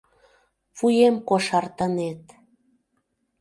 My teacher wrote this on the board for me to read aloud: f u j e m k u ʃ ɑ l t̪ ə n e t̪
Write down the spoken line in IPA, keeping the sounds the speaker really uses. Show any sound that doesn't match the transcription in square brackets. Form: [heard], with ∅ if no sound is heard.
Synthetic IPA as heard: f u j e m k [o] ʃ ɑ [r] t̪ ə n e t̪